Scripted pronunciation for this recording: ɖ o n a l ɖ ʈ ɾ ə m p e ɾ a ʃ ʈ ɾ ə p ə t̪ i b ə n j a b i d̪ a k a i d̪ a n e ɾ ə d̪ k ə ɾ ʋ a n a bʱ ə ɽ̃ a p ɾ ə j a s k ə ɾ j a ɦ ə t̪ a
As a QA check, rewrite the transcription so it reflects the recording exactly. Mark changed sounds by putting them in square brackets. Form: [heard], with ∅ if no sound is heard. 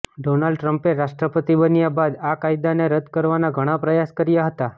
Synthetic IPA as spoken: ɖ o n a l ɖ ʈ ɾ ə m p e ɾ a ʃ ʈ ɾ ə p ə t̪ i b ə n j a b [a] d̪ a k a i d̪ a n e ɾ ə d̪ k ə ɾ ʋ a n a [ɡʱ] ə ɽ̃ a p ɾ ə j a s k ə ɾ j a ɦ ə t̪ a